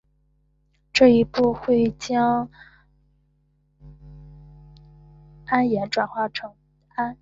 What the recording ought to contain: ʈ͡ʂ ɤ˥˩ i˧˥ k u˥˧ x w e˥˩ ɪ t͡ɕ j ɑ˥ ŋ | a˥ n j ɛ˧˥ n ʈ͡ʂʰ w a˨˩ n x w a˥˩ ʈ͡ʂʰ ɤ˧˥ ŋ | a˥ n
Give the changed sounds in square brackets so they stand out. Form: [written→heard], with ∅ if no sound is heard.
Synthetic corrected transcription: ʈ͡ʂ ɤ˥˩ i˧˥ [k→p] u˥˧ x w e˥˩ ɪ t͡ɕ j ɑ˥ ŋ | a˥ n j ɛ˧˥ n [ʈ͡ʂʰ→ʈ͡ʂ] w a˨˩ n x w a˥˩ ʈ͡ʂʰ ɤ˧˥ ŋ | a˥ n

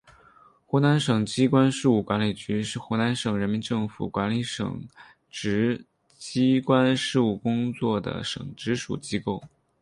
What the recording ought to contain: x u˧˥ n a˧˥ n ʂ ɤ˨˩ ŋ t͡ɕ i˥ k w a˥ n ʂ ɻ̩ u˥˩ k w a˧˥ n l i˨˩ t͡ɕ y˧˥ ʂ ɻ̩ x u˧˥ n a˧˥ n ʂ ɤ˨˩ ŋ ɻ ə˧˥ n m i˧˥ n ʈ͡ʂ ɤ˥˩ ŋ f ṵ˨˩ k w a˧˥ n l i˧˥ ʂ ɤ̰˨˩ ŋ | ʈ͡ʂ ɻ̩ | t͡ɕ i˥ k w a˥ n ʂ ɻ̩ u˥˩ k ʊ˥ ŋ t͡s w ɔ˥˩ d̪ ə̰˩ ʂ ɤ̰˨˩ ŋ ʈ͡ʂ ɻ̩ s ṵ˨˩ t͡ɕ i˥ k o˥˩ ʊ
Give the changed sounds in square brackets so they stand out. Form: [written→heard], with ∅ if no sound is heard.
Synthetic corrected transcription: x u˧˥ n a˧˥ n ʂ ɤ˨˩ ŋ t͡ɕ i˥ k w a˥ n ʂ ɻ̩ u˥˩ k w a˧˥ n l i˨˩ t͡ɕ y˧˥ ʂ ɻ̩ x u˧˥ n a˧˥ n ʂ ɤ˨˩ ŋ ɻ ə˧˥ n m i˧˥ n ʈ͡ʂ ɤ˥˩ ŋ f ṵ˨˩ k w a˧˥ n l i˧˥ ʂ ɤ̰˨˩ ŋ | ʈ͡ʂ ɻ̩ | t͡ɕ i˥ k w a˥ n ʂ ɻ̩ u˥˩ k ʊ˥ ŋ t͡s w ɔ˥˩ d̪ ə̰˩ ʂ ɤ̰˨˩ ŋ ʈ͡ʂ ɻ̩ [s→ʂ] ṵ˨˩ t͡ɕ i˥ k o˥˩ ʊ

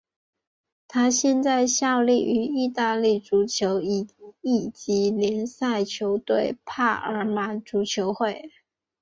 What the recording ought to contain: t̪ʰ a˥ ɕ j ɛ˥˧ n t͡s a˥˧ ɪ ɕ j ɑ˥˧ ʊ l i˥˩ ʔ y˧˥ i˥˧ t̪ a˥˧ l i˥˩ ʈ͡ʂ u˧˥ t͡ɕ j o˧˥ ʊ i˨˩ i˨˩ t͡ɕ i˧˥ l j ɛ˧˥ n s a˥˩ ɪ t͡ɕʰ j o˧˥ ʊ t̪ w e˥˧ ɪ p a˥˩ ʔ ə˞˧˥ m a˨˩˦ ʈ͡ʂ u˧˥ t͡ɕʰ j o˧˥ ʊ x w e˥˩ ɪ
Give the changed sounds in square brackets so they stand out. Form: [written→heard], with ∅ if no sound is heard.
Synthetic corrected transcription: t̪ʰ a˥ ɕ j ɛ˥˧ n t͡s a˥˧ ɪ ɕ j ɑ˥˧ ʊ l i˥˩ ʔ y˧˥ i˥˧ t̪ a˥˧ l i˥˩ ʈ͡ʂ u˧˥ [t͡ɕ→t͡ɕʰ] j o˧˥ ʊ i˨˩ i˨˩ t͡ɕ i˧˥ l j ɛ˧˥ n s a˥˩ ɪ t͡ɕʰ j o˧˥ ʊ t̪ w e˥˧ ɪ [p→pʰ] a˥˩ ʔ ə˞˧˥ m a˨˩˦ ʈ͡ʂ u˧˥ t͡ɕʰ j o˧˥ ʊ x w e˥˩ ɪ

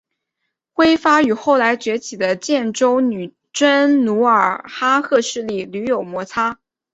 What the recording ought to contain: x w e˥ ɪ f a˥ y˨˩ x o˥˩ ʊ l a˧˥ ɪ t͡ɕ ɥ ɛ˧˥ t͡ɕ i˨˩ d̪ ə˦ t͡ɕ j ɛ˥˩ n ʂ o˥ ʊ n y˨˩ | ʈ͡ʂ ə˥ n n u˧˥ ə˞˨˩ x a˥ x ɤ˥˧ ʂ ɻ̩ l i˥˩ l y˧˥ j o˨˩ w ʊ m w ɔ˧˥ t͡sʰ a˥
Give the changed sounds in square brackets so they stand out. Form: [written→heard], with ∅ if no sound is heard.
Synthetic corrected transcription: x w e˥ ɪ f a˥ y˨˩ x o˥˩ ʊ l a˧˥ ɪ t͡ɕ ɥ ɛ˧˥ [t͡ɕ→t͡ɕʰ] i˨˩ d̪ ə˦ t͡ɕ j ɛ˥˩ n [ʂ→ʈ͡ʂ] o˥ ʊ n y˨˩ | ʈ͡ʂ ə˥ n n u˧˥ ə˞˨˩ x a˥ x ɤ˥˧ ʂ ɻ̩ l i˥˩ l y˧˥ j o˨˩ [w→∅] ʊ m w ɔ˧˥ t͡sʰ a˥

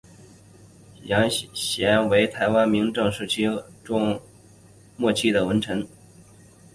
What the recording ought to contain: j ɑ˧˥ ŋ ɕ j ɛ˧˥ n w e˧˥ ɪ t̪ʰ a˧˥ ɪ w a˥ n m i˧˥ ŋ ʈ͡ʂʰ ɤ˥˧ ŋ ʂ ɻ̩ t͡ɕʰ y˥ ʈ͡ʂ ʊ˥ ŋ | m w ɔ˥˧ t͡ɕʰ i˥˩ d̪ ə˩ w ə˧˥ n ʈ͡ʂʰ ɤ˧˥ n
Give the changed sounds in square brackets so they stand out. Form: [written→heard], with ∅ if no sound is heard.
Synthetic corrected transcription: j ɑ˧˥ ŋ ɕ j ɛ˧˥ n w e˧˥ ɪ t̪ʰ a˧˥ ɪ w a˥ n m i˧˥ ŋ [ʈ͡ʂʰ→ʈ͡ʂ] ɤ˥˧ ŋ ʂ ɻ̩ t͡ɕʰ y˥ ʈ͡ʂ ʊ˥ ŋ | m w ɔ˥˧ t͡ɕʰ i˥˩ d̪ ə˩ w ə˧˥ n ʈ͡ʂʰ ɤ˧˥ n

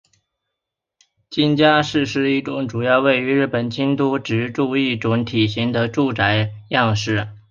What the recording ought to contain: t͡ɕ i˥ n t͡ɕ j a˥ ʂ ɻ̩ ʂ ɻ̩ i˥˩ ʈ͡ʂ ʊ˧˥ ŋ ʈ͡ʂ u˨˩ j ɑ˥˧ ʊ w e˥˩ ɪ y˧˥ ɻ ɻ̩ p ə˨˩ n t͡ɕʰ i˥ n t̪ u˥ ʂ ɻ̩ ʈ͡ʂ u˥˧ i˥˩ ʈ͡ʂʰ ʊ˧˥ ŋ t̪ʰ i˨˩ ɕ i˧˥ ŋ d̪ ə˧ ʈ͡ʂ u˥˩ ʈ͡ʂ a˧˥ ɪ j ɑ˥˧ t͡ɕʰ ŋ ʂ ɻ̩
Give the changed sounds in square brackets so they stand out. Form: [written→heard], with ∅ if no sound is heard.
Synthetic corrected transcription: t͡ɕ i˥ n t͡ɕ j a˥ ʂ ɻ̩ ʂ ɻ̩ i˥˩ ʈ͡ʂ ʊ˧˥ ŋ ʈ͡ʂ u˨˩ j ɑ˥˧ ʊ w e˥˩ ɪ y˧˥ ɻ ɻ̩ p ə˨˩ n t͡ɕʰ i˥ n t̪ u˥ [ʂ→ʈ͡ʂ] ɻ̩ ʈ͡ʂ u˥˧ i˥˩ [ʈ͡ʂʰ→ʈ͡ʂ] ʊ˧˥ ŋ t̪ʰ i˨˩ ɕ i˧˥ ŋ d̪ ə˧ ʈ͡ʂ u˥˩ ʈ͡ʂ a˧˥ ɪ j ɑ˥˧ [t͡ɕʰ→∅] ŋ ʂ ɻ̩

